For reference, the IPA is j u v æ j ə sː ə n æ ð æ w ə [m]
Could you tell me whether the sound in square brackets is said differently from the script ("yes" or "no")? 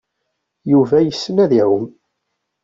no